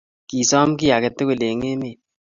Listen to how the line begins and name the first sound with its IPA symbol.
k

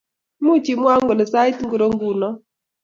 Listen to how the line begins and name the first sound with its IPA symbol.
m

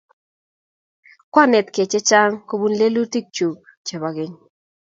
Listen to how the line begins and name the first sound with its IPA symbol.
k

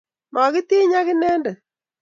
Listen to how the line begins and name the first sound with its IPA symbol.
m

